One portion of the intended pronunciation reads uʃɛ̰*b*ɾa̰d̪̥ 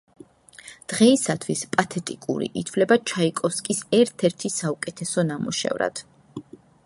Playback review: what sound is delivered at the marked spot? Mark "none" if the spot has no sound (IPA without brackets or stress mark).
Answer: v